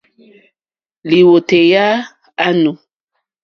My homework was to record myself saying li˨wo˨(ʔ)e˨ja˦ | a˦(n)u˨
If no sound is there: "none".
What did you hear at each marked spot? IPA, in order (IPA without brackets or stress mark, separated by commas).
t, n